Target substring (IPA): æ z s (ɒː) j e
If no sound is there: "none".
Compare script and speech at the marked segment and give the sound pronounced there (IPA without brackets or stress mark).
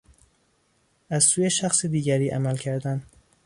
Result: uː